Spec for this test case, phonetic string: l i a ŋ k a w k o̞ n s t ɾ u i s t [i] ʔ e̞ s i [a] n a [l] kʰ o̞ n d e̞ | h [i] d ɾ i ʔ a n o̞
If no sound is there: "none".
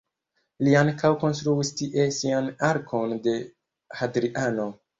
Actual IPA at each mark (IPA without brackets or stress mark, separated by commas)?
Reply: i, a, ɾ, a